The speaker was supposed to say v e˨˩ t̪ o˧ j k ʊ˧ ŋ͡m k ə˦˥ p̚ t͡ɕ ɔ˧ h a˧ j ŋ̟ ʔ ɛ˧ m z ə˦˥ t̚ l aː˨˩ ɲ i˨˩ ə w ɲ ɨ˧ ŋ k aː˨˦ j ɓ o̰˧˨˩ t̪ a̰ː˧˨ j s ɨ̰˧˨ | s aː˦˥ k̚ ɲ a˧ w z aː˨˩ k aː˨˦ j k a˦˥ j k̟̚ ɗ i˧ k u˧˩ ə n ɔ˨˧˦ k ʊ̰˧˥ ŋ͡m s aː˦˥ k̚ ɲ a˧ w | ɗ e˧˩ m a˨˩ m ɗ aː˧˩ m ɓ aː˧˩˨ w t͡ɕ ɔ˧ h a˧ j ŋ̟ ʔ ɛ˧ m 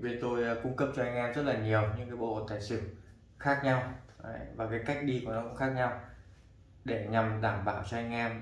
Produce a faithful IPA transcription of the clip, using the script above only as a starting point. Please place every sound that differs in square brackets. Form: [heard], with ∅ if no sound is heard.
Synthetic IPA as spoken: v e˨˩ t̪ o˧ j k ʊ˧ ŋ͡m k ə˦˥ p̚ t͡ɕ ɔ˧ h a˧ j ŋ̟ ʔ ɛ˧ m z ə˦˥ t̚ l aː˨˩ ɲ i˨˩ ə w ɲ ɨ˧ ŋ k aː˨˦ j ɓ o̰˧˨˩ t̪ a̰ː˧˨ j s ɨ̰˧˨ | [x] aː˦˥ k̚ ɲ a˧ w [v] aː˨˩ k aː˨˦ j k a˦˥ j k̟̚ ɗ i˧ k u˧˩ ə n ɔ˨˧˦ k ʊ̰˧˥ ŋ͡m [x] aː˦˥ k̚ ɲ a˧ w | ɗ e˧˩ [ɲ] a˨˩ m ɗ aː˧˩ m ɓ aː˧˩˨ w t͡ɕ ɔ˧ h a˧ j ŋ̟ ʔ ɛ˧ m